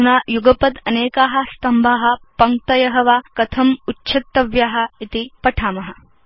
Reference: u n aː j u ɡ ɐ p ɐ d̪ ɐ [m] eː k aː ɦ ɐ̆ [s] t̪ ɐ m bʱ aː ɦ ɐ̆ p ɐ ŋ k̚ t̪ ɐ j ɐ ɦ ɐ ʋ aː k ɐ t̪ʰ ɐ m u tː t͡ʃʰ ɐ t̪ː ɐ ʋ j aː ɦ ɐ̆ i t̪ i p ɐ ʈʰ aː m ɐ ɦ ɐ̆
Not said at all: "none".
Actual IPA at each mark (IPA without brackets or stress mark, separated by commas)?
n, s